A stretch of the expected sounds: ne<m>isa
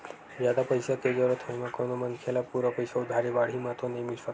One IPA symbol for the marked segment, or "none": m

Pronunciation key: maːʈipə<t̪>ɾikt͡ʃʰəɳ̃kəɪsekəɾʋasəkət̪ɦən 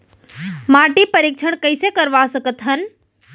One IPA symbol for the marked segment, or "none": none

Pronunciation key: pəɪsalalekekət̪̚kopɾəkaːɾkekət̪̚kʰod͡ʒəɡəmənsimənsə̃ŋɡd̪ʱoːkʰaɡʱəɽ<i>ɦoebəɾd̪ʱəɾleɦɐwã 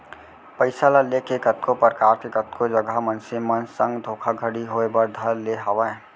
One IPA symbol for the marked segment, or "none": i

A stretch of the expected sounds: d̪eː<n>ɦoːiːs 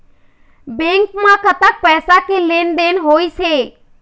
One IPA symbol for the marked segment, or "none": n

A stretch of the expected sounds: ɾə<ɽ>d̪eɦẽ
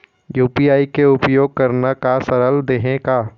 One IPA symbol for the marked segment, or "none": l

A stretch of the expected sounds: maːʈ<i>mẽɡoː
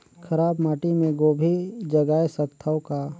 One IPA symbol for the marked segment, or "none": i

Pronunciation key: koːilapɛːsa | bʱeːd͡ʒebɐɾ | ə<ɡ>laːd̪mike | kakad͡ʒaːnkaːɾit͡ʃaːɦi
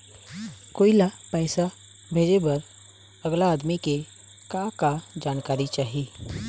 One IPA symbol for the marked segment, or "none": ɡ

